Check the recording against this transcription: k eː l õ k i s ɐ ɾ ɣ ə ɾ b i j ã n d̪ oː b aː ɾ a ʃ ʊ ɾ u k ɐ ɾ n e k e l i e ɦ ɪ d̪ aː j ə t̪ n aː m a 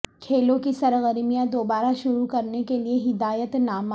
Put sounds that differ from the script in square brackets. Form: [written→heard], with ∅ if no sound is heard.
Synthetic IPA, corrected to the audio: [k→kʰ] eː l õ k i s ɐ ɾ ɣ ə ɾ [b→m] i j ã [n→∅] d̪ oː b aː ɾ a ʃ ʊ ɾ u k ɐ ɾ n e k e l i e ɦ ɪ d̪ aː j ə t̪ n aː m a